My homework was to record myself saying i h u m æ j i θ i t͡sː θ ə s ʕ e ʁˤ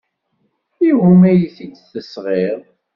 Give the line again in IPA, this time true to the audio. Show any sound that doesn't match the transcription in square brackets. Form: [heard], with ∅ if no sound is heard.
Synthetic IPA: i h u m æ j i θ i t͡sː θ ə s [ʁ] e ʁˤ